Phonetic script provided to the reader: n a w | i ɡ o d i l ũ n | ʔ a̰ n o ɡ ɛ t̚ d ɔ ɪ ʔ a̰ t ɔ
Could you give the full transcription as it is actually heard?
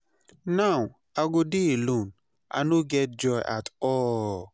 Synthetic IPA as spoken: n a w | a ɡ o d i l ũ n | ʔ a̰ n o ɡ ɛ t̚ d͡ʒ ɔ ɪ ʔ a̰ t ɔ

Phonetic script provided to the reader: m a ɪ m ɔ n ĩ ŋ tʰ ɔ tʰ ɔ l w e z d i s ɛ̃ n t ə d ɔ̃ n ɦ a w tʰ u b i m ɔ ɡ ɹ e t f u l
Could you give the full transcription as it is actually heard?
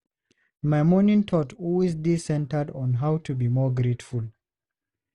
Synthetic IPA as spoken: m a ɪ m ɔ n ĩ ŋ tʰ ɔ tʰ ɔ l w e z d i s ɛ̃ n t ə d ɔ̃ n ɦ a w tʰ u b i m ɔ ɡ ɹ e t f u l

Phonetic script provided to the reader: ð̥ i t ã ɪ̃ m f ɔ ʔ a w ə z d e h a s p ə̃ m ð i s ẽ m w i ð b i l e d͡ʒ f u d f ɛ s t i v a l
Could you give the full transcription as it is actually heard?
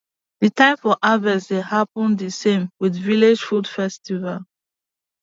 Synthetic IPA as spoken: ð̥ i t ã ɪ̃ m f ɔ ʔ a v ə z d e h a p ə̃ n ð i s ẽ m w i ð v i l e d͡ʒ f u d f ɛ s t i v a l

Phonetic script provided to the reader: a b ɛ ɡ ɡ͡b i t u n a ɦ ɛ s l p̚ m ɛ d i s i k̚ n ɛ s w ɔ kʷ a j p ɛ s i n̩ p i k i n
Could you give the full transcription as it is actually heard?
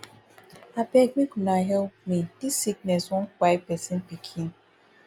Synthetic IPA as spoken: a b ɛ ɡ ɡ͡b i k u n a ɦ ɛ l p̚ m i d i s i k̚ n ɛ s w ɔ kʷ a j p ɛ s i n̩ p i kʰ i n

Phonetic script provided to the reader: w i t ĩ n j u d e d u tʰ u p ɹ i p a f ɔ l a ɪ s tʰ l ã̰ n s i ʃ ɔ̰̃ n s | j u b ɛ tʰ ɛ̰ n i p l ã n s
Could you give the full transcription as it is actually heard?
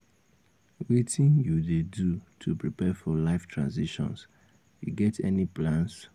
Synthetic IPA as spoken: w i t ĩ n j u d e d u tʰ u p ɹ i p ɛ f ɔ l a ɪ f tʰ ɹ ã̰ n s i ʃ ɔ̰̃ n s | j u ɡ ɛ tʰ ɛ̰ n i p l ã n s

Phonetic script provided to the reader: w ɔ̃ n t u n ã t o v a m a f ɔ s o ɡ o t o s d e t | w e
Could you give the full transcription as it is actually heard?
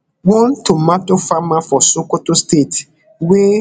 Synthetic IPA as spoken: w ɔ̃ n t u m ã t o f a m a f ɔ s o k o t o s t e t | w e

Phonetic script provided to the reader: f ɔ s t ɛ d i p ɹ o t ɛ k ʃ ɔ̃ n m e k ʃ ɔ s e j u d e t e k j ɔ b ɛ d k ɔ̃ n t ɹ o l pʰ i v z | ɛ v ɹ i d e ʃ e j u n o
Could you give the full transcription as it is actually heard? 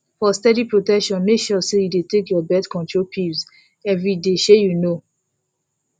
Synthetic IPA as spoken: f ɔ s t ɛ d i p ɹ o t ɛ k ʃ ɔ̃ n m e k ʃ ɔ s e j u d e t e k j ɔ b ɛ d k ɔ̃ n t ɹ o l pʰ i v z | ɛ v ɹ i d e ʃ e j u n o

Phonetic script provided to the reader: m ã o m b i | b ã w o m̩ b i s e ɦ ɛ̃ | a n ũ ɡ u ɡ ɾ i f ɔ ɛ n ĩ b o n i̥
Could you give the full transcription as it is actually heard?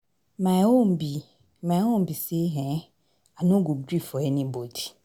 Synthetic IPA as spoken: m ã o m b i | m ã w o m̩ b i s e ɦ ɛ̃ | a n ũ ɡ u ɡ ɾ i f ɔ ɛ n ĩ b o d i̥

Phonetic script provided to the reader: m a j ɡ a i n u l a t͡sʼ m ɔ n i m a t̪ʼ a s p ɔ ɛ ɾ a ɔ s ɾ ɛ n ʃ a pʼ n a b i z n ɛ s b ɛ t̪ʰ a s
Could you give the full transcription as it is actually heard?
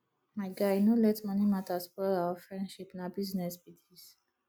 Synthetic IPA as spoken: m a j ɡ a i n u l ɛ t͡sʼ m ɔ n i m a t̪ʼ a s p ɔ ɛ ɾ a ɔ f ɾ ɛ n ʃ i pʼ n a b i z n ɛ s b i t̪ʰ i s

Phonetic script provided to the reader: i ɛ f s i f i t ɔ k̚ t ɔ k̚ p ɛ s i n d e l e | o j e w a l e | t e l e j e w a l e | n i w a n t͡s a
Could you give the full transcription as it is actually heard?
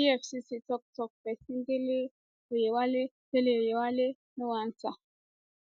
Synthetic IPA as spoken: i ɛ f s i s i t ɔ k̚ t ɔ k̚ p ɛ s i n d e l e | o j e w a l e | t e l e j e w a l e | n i w a n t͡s a

